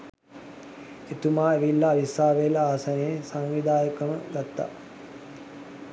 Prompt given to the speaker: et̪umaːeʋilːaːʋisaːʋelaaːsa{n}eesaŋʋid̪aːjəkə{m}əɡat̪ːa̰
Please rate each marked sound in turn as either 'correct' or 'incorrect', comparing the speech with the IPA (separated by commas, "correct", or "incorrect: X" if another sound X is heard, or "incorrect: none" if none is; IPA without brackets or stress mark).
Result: correct, correct